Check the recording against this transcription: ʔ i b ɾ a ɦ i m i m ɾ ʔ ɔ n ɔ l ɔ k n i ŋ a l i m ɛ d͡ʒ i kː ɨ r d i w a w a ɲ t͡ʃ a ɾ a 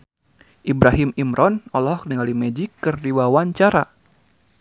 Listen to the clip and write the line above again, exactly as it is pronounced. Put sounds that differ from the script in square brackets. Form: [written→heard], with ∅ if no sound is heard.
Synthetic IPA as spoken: ʔ i b ɾ a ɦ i m i m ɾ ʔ ɔ n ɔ l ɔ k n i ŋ a l i m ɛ d͡ʒ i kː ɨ r d i w a w a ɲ t͡ʃ a ɾ a